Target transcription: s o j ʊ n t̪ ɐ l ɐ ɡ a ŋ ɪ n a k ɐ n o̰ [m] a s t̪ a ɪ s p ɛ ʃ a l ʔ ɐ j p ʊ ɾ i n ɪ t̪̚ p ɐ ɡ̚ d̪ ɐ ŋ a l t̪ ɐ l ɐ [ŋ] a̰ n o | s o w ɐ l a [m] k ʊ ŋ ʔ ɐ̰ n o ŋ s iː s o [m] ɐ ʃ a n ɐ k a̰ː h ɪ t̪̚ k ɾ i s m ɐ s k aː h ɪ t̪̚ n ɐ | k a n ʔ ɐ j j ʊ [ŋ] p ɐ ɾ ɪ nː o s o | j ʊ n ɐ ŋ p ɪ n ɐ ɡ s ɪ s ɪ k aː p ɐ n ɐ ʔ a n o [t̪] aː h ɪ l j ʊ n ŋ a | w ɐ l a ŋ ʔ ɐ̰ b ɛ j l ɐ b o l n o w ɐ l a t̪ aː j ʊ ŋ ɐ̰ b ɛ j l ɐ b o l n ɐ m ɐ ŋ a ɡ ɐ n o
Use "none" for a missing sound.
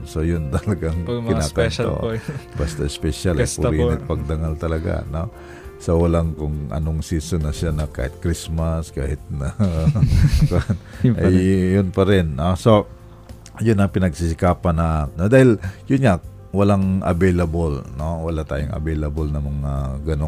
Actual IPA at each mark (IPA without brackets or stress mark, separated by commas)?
b, ɡ, ŋ, n, n, d̪